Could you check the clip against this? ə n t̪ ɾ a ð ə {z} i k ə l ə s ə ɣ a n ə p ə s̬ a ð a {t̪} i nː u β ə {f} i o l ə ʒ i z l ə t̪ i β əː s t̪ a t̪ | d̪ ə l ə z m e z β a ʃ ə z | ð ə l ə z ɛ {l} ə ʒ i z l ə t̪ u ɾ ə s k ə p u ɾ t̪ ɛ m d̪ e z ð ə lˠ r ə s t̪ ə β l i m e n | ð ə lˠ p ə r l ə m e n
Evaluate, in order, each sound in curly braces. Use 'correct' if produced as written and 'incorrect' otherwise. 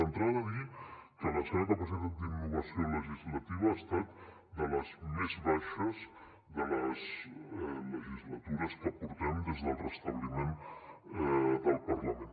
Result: incorrect, incorrect, incorrect, correct

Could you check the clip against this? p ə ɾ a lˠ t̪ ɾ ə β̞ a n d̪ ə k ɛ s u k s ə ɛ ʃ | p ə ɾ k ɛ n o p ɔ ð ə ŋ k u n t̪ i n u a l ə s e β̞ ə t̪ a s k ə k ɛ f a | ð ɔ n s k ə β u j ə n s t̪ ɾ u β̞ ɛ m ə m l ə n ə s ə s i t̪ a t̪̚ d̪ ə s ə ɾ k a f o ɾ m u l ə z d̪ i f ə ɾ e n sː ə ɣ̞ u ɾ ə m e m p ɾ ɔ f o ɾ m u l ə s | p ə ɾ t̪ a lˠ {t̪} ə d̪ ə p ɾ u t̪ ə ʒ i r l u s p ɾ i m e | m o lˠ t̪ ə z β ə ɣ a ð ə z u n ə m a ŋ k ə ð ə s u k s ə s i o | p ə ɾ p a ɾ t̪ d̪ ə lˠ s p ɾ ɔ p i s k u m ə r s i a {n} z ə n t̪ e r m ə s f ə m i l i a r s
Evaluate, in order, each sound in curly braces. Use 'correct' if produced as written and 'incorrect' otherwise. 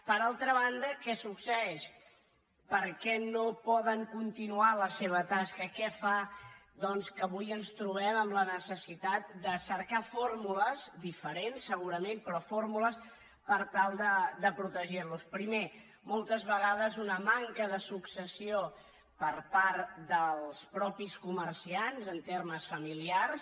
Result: incorrect, correct

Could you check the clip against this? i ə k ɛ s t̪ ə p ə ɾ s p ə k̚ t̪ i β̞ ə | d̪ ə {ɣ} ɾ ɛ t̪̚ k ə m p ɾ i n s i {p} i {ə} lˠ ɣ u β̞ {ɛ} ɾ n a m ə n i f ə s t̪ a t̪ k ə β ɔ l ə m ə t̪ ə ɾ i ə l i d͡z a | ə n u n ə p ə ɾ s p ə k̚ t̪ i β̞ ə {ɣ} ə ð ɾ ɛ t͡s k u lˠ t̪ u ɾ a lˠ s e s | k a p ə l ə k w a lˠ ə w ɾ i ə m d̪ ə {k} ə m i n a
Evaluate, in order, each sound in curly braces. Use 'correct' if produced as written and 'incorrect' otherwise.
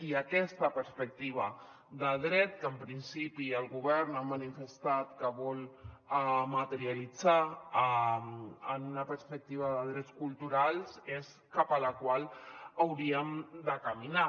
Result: incorrect, correct, correct, correct, incorrect, correct

